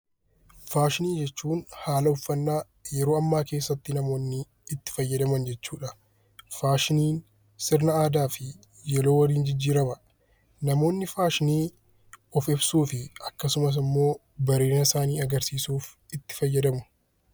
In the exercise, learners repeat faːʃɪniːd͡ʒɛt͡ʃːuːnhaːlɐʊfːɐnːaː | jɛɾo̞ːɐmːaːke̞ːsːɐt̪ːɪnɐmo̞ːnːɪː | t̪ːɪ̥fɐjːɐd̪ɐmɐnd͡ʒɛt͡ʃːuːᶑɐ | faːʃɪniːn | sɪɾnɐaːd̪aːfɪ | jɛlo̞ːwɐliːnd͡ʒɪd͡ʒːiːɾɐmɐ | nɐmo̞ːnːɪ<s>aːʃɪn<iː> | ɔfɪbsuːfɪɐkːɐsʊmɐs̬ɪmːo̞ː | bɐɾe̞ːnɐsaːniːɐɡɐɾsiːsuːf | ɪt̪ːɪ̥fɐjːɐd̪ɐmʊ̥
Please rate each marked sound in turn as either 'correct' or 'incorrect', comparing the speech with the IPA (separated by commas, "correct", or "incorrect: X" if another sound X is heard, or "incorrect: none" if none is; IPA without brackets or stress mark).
incorrect: f, correct